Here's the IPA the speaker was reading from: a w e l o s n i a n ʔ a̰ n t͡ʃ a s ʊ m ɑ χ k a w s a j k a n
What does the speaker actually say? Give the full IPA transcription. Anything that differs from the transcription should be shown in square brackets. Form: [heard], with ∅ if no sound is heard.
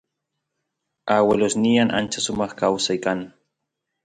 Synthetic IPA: a w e l o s n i a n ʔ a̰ n t͡ʃ a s ʊ m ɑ χ k a w s a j k a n